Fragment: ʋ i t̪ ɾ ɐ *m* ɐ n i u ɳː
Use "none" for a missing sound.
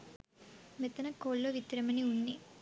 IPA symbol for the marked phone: m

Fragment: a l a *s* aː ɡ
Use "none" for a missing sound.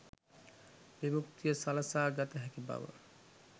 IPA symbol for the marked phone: s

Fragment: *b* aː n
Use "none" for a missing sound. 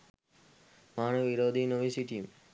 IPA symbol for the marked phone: m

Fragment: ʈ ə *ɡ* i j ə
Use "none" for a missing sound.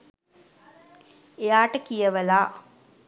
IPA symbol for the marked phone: k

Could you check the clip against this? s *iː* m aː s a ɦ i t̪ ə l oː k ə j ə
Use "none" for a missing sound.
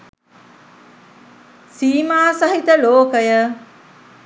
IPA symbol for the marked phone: iː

